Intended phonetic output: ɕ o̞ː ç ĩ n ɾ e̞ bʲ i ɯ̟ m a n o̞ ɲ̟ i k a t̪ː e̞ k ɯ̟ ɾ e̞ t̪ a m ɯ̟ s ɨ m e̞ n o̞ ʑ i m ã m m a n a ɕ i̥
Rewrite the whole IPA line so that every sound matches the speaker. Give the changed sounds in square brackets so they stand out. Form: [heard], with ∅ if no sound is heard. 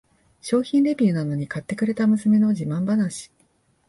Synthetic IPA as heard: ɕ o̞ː ç ĩ n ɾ e̞ bʲ i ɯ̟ [n] a n o̞ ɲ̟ i k a t̪ː e̞ k ɯ̟ ɾ e̞ t̪ a m ɯ̟ s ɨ m e̞ n o̞ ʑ i m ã m [b] a n a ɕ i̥